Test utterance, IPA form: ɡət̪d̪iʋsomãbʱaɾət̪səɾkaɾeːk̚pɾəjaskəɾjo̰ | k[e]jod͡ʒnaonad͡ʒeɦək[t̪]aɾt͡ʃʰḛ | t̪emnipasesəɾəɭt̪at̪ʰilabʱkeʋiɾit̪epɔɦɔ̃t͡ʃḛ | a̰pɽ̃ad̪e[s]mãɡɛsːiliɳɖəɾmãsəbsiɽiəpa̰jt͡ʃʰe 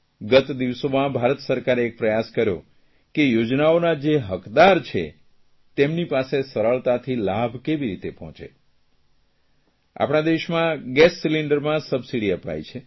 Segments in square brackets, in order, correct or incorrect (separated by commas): correct, incorrect, incorrect